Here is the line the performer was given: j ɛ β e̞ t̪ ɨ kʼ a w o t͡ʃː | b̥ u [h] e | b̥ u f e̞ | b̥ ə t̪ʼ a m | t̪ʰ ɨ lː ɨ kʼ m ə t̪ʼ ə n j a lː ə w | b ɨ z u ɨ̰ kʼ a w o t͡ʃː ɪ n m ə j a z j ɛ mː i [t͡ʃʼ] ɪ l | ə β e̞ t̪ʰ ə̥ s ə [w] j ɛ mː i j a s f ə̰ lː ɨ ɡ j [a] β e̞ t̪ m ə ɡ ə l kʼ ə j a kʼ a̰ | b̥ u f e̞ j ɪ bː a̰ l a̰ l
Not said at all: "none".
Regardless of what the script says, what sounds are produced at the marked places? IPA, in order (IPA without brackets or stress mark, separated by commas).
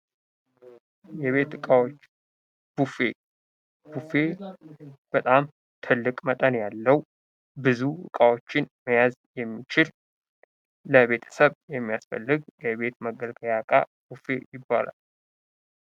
f, t͡ʃ, β, ɛ